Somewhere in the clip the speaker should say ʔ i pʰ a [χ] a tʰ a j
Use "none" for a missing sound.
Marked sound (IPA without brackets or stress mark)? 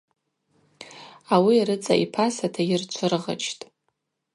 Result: s